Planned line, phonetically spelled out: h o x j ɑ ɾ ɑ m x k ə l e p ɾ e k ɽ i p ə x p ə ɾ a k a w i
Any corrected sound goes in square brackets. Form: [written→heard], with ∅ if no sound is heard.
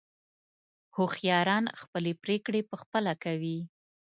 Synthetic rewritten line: h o x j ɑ ɾ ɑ [m→n] x [k→p] ə l e p ɾ e k ɽ [i→e] p ə x p ə [ɾ→l] a k a w i

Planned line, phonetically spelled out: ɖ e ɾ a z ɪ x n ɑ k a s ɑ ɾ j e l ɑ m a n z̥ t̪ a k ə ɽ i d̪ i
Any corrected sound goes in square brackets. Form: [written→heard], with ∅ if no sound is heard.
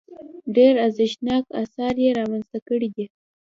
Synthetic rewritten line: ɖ e ɾ a z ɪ [x→ʃ] n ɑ k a s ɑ ɾ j e [l→ɾ] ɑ m a n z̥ t̪ a k ə ɽ i d̪ i

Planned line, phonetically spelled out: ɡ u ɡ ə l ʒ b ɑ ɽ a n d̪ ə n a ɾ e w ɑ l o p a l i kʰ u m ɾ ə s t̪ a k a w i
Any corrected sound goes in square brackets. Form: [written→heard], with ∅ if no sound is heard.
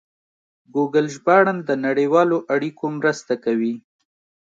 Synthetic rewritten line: ɡ u ɡ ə l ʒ b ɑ ɽ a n d̪ ə n a [ɾ→ɽ] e w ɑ l o [p→ʔ] a [l→ɽ] i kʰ [u→o] m ɾ ə s t̪ a k a w i

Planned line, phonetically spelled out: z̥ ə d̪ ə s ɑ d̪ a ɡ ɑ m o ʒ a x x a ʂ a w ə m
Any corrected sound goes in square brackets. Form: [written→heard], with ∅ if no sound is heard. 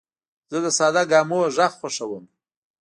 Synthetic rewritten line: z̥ ə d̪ ə s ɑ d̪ a ɡ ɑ m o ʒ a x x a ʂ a w ə m

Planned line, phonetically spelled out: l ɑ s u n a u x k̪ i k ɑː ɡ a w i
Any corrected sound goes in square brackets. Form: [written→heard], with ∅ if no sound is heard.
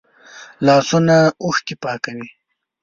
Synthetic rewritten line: l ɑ s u n a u x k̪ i [k→p] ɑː [ɡ→k] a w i

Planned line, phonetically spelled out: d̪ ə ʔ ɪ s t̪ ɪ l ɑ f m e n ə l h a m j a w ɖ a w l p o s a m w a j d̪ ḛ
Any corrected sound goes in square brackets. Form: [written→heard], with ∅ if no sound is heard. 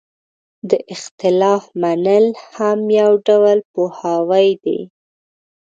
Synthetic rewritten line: d̪ ə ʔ ɪ [s→x] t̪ ɪ l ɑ f m [e→a] n ə l h a m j a w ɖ a w l p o [s→h] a [m→∅] w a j d̪ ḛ

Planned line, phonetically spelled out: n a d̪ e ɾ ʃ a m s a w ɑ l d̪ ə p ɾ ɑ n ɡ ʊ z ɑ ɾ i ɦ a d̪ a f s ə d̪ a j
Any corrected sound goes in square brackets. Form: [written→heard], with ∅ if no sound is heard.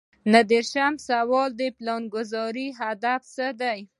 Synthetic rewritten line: n a d̪ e ɾ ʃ a m s a w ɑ l d̪ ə p [ɾ→l] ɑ n ɡ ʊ z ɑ ɾ i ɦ a d̪ a f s ə d̪ a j

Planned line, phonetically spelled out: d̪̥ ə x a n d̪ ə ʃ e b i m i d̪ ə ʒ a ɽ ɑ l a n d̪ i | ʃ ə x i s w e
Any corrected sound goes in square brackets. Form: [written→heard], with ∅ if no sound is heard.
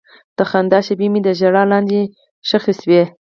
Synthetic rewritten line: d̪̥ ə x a n d̪ [ə→ɑ] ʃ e b i m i d̪ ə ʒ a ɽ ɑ l [a→ɑ] n d̪ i | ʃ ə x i s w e

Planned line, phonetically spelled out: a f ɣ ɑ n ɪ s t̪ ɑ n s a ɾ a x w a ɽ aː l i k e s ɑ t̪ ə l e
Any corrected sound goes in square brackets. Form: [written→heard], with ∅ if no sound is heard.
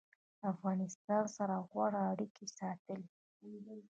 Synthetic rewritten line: a f ɣ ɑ n ɪ s t̪ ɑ n s a ɾ a [x→ɣ] w a ɽ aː [l→ɽ] i k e s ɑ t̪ ə l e

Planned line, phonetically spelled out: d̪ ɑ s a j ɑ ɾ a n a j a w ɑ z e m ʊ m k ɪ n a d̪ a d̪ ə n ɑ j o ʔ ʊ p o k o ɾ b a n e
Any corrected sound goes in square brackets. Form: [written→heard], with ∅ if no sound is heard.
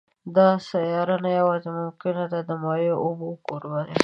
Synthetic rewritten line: d̪ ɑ s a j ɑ ɾ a n a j a w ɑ z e m ʊ m k ɪ n a d̪ a d̪ ə [n→m] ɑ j o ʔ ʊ [p→b] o k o ɾ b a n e

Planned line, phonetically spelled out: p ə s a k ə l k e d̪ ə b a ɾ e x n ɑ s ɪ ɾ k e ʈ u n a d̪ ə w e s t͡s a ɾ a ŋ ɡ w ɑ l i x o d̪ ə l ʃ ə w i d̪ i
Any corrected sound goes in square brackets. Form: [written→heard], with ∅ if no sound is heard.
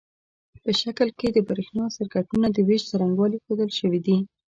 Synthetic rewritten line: p ə [s→ʃ] a k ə l k e d̪ ə b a ɾ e x n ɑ s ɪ ɾ k [e→a] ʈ u n a d̪ ə w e [s→ʃ] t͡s a ɾ a ŋ ɡ w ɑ l i x o d̪ ə l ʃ ə w i d̪ i

